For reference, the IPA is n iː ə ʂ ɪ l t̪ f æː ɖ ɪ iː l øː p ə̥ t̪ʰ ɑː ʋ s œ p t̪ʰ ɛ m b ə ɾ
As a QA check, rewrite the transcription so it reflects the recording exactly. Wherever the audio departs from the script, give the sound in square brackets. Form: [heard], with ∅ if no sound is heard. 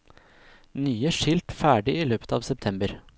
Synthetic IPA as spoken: n [yː] ə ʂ ɪ l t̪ f æː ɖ ɪ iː l øː p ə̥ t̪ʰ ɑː ʋ s [ɛ] p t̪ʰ ɛ m b ə ɾ